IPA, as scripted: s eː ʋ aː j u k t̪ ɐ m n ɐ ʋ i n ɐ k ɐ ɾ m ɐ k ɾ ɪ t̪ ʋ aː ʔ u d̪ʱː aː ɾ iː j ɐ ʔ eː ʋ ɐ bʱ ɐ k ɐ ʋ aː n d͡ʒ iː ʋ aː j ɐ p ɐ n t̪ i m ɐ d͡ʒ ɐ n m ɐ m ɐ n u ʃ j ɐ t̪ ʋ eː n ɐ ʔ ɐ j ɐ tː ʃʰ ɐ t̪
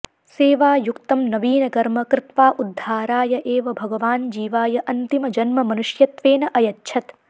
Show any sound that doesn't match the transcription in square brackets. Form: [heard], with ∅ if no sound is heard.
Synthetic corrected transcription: s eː ʋ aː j u k t̪ ɐ m n ɐ ʋ [iː] n ɐ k ɐ ɾ m ɐ k ɾ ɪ t̪ ʋ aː ʔ u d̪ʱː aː ɾ [aː] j ɐ ʔ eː ʋ ɐ bʱ ɐ [ɡ] ɐ ʋ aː n d͡ʒ iː ʋ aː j ɐ [ʔ] ɐ n t̪ i m ɐ d͡ʒ ɐ n m ɐ m ɐ n u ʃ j ɐ t̪ ʋ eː n ɐ ʔ ɐ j ɐ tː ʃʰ ɐ t̪